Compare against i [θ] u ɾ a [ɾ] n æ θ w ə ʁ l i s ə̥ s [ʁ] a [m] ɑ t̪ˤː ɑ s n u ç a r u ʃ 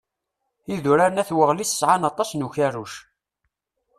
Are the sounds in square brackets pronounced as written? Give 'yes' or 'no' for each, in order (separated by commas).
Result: no, yes, no, no